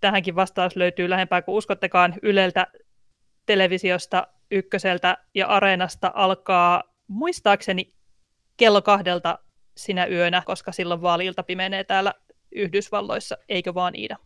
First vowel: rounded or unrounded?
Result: unrounded